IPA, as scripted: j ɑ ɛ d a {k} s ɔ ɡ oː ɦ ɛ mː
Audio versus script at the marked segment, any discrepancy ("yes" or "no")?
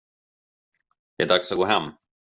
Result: no